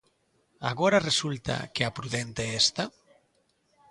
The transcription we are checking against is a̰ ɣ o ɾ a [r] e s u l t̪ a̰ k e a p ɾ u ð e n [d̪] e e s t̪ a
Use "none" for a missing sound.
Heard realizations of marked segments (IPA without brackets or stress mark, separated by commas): r, t̪